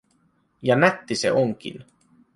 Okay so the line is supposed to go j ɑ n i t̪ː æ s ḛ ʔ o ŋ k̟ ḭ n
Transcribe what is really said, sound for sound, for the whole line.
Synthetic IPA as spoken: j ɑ n æ t̪ː i s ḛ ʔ o ŋ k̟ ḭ n